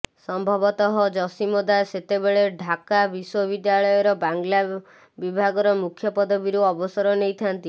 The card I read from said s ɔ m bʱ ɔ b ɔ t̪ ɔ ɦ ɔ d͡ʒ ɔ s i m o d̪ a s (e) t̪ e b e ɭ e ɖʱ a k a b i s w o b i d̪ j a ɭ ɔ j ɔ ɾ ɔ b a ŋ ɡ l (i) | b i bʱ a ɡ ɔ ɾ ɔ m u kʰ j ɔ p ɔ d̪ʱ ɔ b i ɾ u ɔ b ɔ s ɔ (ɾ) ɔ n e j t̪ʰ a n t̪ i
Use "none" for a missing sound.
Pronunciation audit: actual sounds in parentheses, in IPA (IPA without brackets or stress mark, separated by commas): e, a, ɾ